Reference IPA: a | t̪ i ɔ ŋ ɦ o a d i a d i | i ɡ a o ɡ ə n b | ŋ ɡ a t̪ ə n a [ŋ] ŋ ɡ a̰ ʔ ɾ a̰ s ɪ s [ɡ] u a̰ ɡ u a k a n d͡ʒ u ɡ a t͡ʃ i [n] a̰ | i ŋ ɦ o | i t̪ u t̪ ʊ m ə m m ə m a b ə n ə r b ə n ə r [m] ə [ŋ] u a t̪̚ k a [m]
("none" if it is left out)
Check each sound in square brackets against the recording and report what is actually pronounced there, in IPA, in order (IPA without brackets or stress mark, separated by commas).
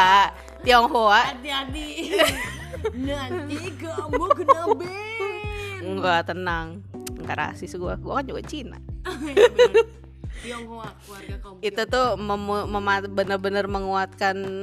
ŋ, ɡ, n, m, ŋ, n